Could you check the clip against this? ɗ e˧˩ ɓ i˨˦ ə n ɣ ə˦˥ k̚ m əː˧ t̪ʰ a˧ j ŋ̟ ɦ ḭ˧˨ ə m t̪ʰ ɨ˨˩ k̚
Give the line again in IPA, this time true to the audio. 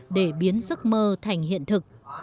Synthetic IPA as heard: ɗ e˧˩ ɓ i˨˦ ə n z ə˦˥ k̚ m əː˧ t̪ʰ a˨˩ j ŋ̟ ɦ ḭ˧˨ ə n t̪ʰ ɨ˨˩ k̚